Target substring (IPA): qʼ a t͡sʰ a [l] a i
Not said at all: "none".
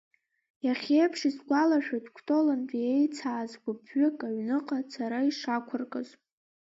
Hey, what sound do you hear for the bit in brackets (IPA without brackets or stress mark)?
ɾ